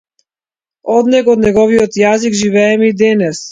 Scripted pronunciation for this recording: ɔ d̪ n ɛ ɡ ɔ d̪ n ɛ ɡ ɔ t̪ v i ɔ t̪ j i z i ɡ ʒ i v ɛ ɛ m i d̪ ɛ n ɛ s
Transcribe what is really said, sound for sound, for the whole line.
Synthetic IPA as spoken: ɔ d̪ n ɛ ɡ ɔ d̪ n ɛ ɡ ɔ v i ɔ t̪ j a z i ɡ ʒ i v ɛ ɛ m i d̪ ɛ n ɛ s